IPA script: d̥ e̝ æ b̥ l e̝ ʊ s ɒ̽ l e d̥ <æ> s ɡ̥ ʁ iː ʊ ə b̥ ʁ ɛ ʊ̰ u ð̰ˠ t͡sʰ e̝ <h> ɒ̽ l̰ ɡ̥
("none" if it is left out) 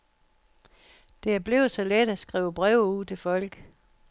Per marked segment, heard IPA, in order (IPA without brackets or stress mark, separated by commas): æ, f